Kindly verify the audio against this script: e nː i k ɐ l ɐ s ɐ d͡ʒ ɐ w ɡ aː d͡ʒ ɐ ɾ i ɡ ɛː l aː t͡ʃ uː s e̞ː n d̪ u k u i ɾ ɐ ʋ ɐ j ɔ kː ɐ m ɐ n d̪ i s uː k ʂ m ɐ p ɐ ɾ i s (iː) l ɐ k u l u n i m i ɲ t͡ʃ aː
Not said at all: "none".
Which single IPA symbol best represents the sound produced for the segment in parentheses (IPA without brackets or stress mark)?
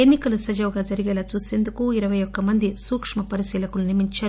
iː